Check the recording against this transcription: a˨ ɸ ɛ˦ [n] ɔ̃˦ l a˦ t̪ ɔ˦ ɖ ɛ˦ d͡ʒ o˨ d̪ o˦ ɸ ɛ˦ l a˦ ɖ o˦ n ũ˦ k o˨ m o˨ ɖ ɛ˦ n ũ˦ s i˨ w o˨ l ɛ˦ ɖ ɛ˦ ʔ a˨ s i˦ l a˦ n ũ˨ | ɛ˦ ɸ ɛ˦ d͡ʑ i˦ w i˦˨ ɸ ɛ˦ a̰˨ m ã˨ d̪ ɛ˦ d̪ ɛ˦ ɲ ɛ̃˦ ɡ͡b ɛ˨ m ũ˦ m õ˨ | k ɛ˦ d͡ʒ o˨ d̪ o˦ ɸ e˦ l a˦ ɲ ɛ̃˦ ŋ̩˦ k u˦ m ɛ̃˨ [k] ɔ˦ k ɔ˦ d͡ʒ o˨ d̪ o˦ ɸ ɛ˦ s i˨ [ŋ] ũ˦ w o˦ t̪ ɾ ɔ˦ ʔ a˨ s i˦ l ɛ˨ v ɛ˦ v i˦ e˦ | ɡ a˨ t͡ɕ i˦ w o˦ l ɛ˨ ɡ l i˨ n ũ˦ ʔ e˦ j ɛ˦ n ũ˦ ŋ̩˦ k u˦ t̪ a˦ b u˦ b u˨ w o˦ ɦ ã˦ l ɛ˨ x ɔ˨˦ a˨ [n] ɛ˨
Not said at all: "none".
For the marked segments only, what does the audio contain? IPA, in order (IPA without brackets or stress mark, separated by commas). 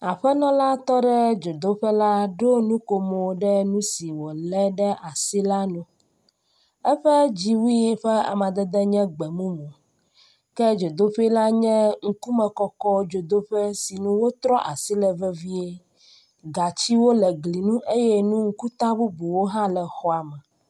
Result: n, k, n, m